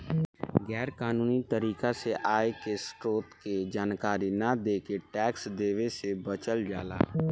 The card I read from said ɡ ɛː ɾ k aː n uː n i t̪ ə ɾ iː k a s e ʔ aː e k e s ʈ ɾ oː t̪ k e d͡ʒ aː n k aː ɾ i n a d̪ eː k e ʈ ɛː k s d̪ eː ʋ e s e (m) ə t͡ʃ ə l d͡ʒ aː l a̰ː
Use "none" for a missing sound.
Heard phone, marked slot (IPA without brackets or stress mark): b